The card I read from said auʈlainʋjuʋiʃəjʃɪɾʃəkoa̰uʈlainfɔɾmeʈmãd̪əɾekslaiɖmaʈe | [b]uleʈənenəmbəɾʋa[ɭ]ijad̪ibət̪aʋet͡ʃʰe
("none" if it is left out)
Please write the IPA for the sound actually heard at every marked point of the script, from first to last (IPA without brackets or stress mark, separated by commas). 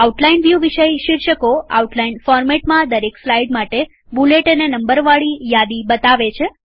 b, ɭ